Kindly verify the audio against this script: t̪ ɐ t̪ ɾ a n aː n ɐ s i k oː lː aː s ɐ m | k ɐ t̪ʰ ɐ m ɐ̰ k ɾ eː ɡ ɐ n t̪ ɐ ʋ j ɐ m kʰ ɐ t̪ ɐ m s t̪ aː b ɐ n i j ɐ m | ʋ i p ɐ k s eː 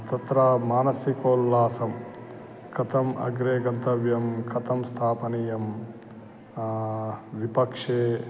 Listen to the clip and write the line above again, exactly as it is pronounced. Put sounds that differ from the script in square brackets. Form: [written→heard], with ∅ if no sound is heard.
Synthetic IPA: t̪ ɐ t̪ ɾ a [n→m] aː n ɐ s i k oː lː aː s ɐ m | k ɐ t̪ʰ ɐ m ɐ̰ [k→ɡ] ɾ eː ɡ ɐ n t̪ ɐ ʋ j ɐ m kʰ ɐ t̪ ɐ m s [t̪→t̪ʰ] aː [b→p] ɐ n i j ɐ m | ʋ i p ɐ k [s→ʂ] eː